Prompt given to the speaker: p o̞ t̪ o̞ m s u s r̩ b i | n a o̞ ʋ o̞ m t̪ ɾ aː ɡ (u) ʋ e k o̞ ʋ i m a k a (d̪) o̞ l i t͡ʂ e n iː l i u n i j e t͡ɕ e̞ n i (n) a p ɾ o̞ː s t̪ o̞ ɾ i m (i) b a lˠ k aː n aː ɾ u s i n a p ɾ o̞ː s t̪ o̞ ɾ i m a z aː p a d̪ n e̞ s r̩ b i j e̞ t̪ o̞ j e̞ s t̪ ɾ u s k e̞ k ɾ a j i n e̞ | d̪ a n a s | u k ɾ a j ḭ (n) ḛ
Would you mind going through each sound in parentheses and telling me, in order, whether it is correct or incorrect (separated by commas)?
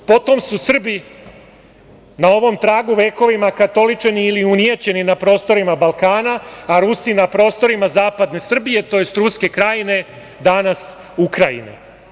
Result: correct, incorrect, correct, incorrect, correct